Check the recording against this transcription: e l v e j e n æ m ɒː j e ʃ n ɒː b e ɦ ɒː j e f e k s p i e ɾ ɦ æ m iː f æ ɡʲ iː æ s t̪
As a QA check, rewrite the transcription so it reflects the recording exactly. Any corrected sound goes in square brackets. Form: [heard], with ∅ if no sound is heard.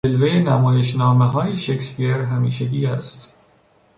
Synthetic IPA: e l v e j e n æ m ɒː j e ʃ n ɒː [m] e ɦ ɒː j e [ʃ] e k s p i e ɾ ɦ æ m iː [ʃ] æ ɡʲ iː æ s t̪